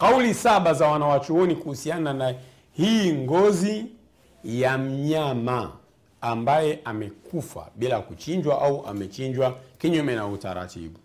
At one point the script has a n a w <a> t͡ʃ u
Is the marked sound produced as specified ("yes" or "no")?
yes